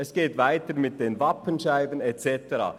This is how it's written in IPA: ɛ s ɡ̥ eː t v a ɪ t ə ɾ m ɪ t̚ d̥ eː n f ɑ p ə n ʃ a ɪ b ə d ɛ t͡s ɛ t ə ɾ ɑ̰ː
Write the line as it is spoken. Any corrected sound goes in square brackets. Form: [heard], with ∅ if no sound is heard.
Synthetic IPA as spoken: ɛ s ɡ̥ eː t v a ɪ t ə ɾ m ɪ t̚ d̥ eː n [v] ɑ p ə n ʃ a ɪ b ə [n] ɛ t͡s ɛ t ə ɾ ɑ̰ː